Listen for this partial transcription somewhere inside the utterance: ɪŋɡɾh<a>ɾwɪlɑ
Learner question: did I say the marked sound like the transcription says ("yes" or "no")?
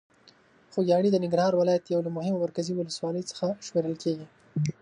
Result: no